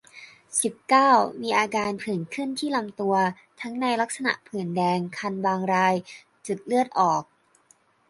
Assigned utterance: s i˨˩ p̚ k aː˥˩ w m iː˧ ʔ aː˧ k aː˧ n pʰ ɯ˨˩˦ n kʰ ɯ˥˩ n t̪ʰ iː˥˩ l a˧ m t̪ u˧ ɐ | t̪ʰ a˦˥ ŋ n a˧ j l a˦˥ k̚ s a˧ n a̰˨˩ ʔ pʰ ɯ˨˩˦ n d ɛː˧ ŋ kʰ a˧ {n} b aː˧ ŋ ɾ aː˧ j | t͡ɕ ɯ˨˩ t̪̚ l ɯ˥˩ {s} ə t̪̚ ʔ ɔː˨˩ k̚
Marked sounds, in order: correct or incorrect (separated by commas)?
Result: correct, incorrect